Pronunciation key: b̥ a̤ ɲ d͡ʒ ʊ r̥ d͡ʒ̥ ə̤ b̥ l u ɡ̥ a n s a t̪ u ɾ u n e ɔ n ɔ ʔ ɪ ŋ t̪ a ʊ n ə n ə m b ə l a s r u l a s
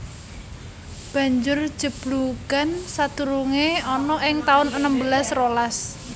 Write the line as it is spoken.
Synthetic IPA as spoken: b̥ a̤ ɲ d͡ʒ ʊ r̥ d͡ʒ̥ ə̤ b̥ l u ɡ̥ a n s a t̪ u ɾ u ŋ e ɔ n ɔ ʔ ɪ ŋ t̪ a ʊ n ə n ə m b ə l a s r o l a s